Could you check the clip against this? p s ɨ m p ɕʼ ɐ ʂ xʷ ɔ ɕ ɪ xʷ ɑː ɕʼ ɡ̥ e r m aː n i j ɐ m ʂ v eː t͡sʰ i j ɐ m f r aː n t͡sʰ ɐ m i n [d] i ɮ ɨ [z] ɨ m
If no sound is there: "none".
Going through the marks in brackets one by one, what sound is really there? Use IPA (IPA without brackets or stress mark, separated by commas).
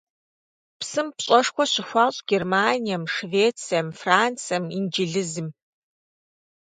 d͡ʒ, z